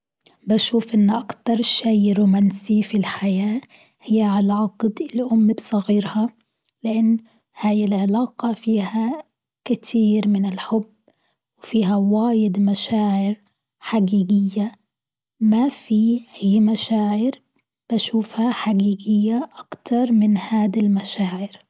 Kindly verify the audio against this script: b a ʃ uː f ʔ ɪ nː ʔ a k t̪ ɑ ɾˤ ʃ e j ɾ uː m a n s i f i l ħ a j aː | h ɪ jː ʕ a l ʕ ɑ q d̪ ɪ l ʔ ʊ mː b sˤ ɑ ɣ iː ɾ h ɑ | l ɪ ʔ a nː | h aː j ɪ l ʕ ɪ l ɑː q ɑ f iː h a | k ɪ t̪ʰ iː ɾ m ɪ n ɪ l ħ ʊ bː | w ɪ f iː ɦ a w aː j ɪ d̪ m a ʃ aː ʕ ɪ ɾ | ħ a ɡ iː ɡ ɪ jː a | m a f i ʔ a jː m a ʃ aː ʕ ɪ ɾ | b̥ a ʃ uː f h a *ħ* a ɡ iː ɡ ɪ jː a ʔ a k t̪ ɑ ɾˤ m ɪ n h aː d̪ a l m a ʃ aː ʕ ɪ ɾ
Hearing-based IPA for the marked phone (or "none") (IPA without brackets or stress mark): ħ